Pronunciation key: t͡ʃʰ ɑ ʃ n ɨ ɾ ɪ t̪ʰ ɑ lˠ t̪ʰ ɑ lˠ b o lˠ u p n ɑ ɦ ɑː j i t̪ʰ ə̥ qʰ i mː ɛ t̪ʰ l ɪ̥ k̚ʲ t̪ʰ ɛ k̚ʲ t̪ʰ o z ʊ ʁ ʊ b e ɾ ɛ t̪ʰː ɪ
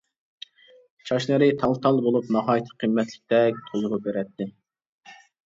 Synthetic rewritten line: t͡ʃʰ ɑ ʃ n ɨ ɾ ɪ t̪ʰ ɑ lˠ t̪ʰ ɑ lˠ b o lˠ u p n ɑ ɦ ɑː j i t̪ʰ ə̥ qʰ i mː ɛ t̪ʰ l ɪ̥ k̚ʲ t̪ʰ ɛ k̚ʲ t̪ʰ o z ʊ ʁ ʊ b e ɾ ɛ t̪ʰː ɪ